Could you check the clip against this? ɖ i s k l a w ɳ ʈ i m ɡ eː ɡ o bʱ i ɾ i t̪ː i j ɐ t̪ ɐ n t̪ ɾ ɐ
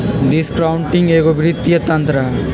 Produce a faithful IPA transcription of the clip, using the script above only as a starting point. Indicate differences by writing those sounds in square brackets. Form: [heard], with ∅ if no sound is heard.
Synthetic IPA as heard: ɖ i s k [ɾ] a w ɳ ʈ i [ŋ] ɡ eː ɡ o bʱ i ɾ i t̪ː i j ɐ t̪ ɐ n t̪ ɾ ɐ